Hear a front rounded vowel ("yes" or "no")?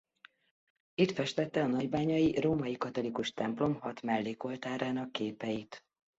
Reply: no